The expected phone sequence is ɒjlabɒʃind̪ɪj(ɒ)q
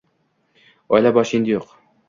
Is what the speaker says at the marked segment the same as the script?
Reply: no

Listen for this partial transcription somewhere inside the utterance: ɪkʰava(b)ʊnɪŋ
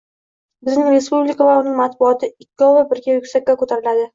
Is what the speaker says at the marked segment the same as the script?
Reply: no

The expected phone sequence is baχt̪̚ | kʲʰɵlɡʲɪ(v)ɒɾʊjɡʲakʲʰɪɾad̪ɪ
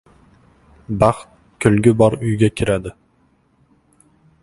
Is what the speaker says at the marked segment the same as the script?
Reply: no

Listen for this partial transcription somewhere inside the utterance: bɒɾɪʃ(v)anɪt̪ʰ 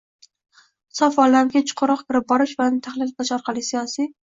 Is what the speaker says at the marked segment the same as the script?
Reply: yes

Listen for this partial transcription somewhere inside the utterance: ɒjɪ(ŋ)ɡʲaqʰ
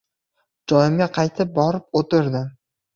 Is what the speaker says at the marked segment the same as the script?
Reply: no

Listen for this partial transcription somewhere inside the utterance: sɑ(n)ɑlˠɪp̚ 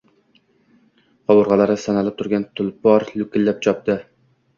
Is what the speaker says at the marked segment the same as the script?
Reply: yes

